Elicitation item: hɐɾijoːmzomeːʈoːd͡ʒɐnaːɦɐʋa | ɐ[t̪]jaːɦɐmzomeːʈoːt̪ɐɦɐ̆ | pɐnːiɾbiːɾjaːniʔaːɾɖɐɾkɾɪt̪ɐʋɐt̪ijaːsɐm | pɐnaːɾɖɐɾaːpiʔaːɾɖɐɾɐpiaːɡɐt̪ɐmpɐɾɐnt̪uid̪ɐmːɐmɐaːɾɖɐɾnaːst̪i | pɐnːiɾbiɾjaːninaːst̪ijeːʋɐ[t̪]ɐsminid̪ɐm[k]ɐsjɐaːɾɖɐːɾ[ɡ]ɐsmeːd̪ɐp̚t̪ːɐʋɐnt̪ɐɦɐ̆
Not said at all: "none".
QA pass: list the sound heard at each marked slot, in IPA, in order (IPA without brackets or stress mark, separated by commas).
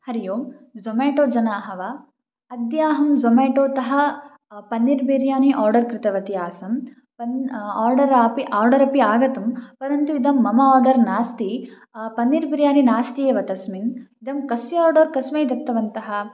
d̪, t̪, k, k